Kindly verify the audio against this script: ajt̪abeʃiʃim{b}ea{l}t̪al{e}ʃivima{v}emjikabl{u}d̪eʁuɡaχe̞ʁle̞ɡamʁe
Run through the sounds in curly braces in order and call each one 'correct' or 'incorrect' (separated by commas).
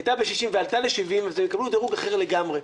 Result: incorrect, correct, correct, incorrect, correct